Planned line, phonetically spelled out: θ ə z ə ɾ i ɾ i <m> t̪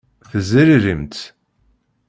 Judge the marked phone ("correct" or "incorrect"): correct